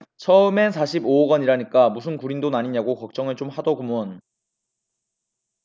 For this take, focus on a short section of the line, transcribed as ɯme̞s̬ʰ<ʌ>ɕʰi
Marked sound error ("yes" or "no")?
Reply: yes